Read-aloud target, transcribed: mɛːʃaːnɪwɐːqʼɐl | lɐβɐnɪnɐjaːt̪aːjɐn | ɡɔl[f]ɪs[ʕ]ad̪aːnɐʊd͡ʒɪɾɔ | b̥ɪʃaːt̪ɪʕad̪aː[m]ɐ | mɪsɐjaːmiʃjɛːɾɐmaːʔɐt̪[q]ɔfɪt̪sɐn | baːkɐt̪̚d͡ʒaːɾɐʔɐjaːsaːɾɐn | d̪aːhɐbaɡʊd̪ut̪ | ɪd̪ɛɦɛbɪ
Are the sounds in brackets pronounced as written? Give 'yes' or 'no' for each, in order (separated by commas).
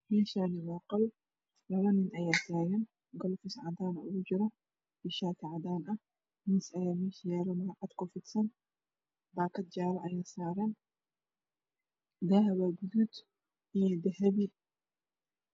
yes, yes, no, no